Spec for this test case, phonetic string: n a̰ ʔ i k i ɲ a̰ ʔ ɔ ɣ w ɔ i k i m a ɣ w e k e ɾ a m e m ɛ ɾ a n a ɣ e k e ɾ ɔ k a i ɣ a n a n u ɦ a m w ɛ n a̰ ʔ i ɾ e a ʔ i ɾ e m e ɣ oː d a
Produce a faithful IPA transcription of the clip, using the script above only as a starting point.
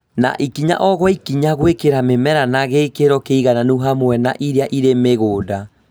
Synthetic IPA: n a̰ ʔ i k i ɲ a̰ ʔ ɔ ɣ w ɔ i k i ɲ a ɣ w e k e ɾ a m e m ɛ ɾ a n a ɣ e k e ɾ ɔ k e i ɣ a n a n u ɦ a m w ɛ n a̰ ʔ i ɾ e a ʔ i ɾ e m e ɣ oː d a